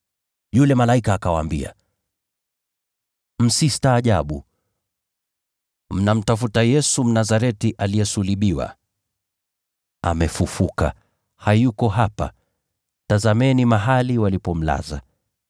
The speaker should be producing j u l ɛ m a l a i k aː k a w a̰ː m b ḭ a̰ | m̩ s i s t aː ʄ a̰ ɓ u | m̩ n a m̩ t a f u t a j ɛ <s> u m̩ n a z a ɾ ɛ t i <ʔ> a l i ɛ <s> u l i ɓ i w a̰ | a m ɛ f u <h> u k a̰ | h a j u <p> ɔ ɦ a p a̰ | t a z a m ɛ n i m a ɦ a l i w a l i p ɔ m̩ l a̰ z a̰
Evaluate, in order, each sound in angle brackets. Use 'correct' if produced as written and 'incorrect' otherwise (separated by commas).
correct, correct, correct, incorrect, incorrect